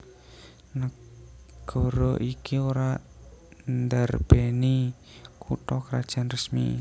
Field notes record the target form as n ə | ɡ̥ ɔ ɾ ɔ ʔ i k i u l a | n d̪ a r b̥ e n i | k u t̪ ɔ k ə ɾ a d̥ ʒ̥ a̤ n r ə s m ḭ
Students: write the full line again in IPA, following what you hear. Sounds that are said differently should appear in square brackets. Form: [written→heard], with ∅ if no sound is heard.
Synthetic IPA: n ə | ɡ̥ ɔ ɾ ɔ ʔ i k i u [l→ɾ] a | n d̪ a r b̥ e n i | k u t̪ ɔ k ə ɾ a d̥ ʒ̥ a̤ n r ə s m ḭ